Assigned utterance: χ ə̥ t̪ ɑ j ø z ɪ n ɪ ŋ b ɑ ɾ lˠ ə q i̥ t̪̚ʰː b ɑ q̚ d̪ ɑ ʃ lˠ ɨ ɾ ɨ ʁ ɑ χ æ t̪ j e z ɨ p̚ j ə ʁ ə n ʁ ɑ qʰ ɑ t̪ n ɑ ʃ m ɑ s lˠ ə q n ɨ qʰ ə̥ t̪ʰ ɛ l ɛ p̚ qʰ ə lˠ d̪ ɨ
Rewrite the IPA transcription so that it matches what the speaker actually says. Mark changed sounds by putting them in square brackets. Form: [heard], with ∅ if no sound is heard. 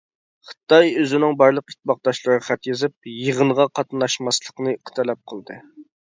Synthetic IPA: χ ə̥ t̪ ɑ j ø z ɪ n ɪ ŋ b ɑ ɾ lˠ ə q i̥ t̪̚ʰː b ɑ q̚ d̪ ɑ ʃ lˠ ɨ ɾ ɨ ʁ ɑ χ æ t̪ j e z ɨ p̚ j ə ʁ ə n ʁ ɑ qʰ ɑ t̪ n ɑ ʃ m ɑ s lˠ ə q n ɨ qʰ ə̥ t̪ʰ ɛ l ɛ p̚ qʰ ə lˠ d̪ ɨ

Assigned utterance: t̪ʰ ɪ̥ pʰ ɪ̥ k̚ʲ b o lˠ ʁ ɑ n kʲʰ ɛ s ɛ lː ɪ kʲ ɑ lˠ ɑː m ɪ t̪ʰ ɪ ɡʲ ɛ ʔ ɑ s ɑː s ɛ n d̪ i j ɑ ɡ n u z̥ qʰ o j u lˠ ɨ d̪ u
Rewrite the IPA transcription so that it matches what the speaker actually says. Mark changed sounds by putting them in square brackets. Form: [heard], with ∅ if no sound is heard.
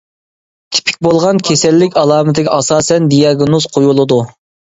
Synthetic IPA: t̪ʰ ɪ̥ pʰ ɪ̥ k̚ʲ b o lˠ ʁ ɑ n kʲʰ [e] s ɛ lː ɪ kʲ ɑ lˠ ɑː m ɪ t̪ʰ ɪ ɡʲ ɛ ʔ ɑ s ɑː s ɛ n d̪ i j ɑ ɡ n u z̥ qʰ o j u lˠ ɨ d̪ u

